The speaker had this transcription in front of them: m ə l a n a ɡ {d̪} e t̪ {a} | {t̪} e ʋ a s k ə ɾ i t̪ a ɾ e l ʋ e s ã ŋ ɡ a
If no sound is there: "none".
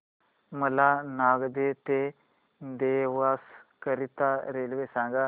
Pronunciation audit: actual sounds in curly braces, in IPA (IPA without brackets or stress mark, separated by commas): d̪, e, d̪